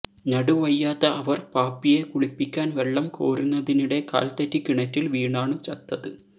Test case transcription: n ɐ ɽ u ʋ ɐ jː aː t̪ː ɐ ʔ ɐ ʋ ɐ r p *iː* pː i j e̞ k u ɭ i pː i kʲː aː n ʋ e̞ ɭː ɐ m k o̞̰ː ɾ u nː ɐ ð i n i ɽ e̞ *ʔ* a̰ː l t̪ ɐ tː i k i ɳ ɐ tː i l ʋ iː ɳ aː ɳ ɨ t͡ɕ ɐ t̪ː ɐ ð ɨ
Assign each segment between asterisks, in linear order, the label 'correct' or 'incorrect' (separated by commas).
incorrect, incorrect